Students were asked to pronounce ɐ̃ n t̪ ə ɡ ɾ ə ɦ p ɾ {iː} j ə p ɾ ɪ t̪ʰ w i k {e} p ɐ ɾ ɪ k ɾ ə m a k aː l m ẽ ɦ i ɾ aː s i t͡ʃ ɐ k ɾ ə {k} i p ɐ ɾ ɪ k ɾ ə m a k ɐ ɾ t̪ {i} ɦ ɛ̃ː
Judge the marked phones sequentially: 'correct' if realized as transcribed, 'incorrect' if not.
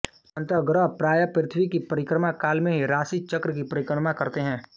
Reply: incorrect, incorrect, correct, incorrect

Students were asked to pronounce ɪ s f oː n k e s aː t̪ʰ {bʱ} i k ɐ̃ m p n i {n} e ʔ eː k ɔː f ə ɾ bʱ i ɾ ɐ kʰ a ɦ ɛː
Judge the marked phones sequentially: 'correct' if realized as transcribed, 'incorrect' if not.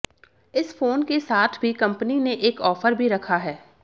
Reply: correct, correct

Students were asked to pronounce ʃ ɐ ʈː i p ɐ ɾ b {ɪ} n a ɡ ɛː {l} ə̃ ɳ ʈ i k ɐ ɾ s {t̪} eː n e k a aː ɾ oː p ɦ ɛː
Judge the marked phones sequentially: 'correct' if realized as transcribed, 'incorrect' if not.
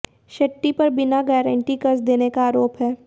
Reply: correct, incorrect, incorrect

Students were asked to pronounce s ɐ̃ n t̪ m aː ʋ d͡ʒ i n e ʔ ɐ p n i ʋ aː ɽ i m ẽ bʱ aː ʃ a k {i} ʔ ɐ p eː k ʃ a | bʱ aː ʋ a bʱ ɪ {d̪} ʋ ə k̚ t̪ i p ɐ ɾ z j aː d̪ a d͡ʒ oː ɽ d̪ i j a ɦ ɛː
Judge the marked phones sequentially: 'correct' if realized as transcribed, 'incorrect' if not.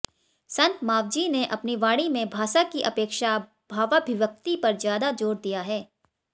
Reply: correct, incorrect

